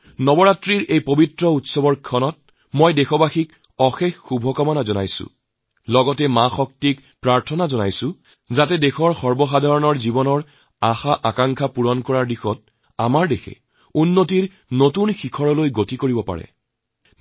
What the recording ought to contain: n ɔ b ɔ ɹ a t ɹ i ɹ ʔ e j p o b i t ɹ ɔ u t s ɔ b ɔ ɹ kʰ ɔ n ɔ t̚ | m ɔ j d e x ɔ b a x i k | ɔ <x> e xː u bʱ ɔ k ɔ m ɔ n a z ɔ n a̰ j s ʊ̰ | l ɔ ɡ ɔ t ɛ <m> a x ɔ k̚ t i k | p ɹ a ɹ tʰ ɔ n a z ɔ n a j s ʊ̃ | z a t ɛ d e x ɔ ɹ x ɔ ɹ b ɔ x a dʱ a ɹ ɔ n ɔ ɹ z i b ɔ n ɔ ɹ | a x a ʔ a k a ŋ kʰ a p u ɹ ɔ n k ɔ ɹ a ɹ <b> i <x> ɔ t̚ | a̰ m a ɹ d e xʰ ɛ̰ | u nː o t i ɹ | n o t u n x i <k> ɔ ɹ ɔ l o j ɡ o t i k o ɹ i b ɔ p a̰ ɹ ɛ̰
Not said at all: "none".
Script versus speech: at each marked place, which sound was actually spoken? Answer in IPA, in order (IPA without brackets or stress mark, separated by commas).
x, m, d, x, kʰ